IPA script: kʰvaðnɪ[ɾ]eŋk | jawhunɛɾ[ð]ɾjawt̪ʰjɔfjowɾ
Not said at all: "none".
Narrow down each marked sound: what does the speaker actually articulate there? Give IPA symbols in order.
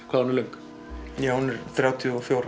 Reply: l, θ

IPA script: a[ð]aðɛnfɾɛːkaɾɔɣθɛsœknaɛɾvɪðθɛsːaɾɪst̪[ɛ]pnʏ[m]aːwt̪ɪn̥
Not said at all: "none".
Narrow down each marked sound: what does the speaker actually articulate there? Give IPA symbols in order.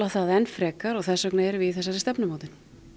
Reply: θ, ɛ, m

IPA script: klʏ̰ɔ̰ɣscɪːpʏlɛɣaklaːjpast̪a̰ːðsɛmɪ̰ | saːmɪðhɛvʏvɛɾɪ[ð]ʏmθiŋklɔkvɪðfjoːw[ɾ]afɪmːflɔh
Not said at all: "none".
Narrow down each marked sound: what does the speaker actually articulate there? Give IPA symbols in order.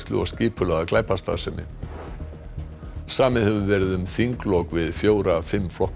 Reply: ð, ɾ

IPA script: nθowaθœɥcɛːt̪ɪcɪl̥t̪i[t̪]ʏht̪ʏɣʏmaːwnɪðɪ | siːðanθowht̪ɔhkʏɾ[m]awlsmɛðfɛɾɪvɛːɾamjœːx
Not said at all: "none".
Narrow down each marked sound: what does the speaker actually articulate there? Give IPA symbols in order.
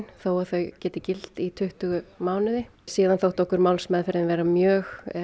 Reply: t̪ʰ, m

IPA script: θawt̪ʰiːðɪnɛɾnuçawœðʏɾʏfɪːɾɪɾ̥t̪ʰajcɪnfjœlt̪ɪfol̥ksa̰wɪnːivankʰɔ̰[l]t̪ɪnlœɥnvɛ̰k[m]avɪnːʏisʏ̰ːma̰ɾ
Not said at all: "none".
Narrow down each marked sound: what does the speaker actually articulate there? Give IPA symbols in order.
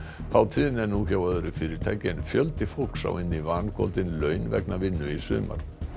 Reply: l, n

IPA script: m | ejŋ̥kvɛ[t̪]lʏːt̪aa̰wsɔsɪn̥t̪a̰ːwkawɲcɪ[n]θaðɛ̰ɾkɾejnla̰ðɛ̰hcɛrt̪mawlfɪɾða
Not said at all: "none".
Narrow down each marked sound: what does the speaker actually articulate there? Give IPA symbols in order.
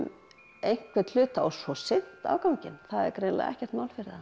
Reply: t̪, n

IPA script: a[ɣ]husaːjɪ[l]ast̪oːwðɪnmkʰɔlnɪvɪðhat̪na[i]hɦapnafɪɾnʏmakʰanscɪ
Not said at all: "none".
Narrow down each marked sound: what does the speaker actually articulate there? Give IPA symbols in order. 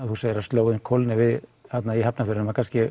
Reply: ð, ɾ, i

